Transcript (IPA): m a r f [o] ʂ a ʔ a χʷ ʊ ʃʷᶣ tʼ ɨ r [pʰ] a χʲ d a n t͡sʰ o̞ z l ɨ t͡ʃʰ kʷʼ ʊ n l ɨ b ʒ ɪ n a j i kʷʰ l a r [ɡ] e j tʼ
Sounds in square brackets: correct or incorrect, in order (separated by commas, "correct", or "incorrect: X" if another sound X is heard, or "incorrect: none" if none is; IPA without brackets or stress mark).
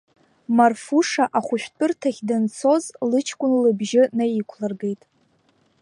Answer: incorrect: u, incorrect: tʰ, correct